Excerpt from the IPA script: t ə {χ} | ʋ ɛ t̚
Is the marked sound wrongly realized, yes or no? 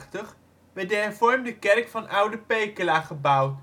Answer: no